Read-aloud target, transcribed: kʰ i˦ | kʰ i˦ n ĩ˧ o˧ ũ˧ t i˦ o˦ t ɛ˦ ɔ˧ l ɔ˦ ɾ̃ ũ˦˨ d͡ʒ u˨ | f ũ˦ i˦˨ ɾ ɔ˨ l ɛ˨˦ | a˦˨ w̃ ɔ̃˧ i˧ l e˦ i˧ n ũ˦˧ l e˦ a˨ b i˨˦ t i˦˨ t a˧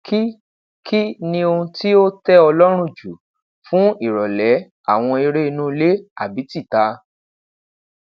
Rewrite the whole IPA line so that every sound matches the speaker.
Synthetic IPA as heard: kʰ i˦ | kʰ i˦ n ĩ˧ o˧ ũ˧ t i˦ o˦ t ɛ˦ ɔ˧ l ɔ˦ ɾ̃ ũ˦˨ d͡ʒ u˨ | f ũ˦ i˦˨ ɾ ɔ˨ l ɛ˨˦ | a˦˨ w̃ ɔ̃˧ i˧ ɾ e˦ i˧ n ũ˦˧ l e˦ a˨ b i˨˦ t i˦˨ t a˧